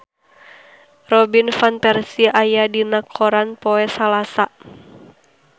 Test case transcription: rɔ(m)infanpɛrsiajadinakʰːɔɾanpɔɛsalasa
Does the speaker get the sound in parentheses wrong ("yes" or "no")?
yes